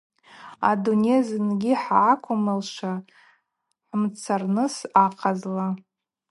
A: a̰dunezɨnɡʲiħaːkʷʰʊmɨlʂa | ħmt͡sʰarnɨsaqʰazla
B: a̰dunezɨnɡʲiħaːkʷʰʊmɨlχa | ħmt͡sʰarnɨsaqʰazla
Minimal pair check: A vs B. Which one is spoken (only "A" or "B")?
A